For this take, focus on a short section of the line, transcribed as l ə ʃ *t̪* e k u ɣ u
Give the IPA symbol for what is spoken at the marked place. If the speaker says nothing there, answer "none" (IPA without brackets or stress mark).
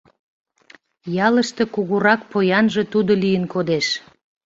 t̪